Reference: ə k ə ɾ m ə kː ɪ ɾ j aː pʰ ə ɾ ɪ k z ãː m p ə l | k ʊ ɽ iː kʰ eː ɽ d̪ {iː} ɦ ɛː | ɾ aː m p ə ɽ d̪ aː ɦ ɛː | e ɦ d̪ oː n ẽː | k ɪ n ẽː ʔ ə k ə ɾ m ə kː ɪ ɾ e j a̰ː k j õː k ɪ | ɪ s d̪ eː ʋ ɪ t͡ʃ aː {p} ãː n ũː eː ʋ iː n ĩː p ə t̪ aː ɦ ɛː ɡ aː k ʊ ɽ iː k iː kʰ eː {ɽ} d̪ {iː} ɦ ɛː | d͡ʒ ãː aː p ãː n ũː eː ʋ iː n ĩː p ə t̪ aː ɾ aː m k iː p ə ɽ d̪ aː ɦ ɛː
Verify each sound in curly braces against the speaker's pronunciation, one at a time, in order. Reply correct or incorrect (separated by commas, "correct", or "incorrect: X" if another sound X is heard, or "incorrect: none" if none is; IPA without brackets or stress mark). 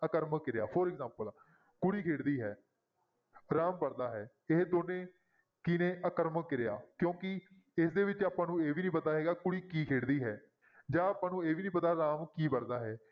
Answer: correct, correct, correct, correct